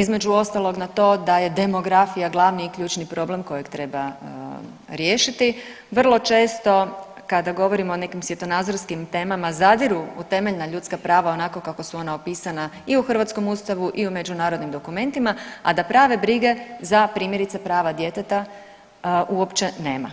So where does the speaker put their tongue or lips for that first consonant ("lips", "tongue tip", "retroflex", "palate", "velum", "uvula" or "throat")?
tongue tip